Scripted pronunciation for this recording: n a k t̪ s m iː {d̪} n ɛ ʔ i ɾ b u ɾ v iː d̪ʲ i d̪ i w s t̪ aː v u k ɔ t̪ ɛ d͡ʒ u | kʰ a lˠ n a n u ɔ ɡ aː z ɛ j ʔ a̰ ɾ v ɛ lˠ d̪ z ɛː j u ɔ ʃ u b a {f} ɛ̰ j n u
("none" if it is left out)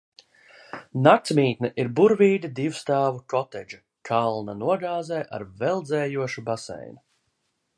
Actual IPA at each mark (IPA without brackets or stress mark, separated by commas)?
t̪, s